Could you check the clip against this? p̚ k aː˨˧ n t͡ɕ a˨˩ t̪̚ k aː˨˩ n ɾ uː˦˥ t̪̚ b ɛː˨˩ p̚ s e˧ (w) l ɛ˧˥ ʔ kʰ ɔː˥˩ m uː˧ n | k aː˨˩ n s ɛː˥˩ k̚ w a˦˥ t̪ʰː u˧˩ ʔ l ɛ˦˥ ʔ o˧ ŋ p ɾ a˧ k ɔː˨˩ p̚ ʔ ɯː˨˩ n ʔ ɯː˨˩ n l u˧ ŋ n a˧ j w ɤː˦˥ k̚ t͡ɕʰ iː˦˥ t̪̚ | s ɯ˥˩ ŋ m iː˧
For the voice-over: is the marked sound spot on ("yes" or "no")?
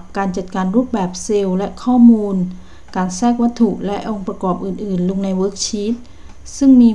yes